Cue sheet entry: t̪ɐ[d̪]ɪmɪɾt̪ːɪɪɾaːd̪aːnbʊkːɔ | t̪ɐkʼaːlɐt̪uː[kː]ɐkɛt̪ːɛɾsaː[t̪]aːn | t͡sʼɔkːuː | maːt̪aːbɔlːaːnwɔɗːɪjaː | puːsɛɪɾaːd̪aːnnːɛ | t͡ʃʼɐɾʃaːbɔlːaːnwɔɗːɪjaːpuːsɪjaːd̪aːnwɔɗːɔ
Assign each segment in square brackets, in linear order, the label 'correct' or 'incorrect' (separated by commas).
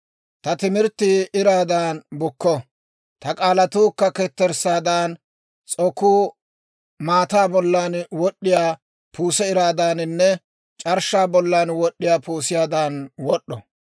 incorrect, correct, incorrect